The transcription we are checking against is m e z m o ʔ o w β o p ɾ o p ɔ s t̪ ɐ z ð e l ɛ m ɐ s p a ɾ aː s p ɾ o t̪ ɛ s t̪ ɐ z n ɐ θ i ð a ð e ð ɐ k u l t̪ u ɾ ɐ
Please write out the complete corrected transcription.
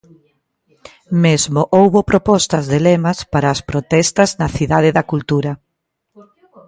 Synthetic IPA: m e z m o ʔ o w β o p ɾ o p ɔ s t̪ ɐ z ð e l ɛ m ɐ s p a ɾ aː s p ɾ o t̪ ɛ s t̪ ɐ z n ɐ θ i ð a ð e ð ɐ k u l t̪ u ɾ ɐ